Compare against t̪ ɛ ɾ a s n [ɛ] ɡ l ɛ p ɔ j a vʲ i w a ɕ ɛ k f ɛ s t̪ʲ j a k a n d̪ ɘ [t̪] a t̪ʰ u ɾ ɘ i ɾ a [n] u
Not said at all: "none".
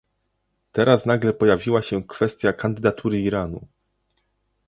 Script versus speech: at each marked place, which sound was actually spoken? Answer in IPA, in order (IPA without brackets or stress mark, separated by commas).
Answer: a, d̪, n